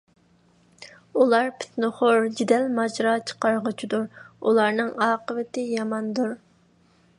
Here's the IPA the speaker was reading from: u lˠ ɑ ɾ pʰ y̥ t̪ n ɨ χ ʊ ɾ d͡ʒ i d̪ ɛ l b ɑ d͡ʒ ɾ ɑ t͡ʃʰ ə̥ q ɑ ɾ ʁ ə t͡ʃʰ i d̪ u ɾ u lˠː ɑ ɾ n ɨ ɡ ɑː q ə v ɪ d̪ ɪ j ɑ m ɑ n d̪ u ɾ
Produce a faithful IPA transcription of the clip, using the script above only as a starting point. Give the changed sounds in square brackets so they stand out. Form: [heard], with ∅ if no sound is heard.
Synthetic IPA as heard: u lˠ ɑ ɾ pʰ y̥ t̪ n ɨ χ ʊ ɾ d͡ʒ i d̪ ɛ l [m] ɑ d͡ʒ ɾ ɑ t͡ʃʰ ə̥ q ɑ ɾ ʁ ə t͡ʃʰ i d̪ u ɾ u [lˠ] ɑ ɾ n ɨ [ŋ] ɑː q ə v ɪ [t̪] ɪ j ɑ m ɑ n d̪ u ɾ